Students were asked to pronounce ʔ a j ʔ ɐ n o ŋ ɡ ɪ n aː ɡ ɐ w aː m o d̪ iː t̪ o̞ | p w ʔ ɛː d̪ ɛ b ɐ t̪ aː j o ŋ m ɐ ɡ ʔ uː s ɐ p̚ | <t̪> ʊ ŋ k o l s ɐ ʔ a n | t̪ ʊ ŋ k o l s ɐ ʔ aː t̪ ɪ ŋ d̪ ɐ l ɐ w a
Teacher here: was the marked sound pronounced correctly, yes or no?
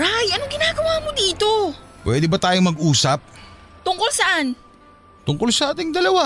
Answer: yes